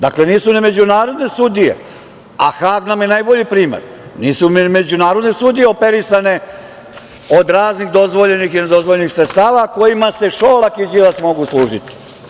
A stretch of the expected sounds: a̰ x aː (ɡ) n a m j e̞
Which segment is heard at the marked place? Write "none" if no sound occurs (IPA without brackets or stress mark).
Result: ɡ